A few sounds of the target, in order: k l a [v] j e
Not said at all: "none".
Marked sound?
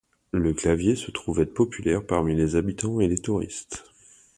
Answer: v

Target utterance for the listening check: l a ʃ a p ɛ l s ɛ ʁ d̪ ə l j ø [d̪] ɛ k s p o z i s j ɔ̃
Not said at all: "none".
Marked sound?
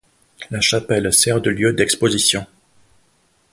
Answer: d̪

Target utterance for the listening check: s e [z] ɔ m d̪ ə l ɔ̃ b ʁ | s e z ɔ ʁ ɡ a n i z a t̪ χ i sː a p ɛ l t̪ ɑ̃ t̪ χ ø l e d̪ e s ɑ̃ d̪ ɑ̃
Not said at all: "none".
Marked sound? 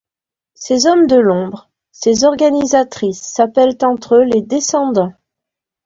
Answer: z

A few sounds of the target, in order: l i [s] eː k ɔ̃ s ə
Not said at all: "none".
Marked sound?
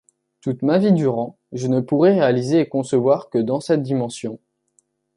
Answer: z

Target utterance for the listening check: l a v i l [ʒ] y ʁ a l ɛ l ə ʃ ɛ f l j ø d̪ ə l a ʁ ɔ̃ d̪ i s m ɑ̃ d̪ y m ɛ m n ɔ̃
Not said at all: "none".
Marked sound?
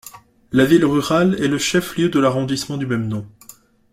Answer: ʁ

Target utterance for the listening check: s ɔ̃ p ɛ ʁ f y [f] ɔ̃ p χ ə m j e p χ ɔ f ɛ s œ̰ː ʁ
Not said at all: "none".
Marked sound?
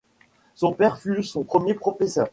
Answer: s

